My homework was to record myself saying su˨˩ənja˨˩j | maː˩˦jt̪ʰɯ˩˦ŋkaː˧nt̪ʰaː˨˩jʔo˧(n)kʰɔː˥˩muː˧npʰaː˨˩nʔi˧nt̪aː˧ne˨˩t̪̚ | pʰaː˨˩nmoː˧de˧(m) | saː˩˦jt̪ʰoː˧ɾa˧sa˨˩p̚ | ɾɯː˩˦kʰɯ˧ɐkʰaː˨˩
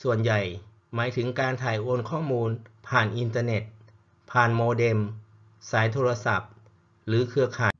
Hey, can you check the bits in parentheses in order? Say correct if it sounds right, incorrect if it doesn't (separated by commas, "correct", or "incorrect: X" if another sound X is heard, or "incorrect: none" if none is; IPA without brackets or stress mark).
correct, correct